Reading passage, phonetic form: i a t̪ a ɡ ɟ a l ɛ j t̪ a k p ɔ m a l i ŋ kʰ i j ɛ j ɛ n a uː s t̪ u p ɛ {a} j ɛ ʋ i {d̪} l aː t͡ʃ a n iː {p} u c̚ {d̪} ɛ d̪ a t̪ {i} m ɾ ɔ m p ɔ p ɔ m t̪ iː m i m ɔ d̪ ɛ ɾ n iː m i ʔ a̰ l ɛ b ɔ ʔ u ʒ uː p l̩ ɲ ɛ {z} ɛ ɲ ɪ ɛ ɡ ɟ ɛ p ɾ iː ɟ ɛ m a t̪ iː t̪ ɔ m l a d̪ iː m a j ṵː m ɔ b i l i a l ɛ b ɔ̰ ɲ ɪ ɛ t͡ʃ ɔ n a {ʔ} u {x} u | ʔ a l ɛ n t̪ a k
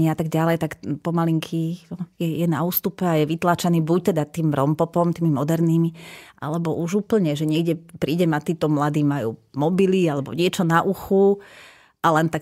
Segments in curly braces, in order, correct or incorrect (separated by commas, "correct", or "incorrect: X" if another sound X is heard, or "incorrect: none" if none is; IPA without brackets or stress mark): correct, incorrect: t̪, incorrect: b, incorrect: t̪, incorrect: iː, incorrect: ʒ, correct, correct